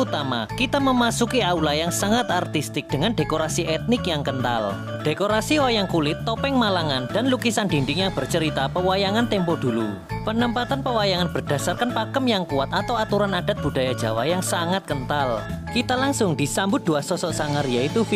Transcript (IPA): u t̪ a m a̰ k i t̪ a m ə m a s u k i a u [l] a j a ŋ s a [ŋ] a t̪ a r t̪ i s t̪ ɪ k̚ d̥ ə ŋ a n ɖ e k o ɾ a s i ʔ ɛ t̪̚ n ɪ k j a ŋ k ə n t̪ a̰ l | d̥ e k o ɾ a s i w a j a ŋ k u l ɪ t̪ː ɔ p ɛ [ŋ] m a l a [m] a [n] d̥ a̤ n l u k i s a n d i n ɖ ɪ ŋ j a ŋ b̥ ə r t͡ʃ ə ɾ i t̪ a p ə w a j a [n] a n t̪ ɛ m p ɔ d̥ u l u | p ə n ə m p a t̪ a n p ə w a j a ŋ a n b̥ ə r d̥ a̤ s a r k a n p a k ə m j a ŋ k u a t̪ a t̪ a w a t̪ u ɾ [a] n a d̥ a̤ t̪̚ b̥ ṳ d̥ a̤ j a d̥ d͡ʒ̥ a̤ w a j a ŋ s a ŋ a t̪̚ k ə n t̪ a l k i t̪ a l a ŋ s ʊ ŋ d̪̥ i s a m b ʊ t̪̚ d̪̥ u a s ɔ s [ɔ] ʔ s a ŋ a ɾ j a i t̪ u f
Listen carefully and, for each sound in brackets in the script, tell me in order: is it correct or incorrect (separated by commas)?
correct, correct, correct, incorrect, correct, incorrect, correct, correct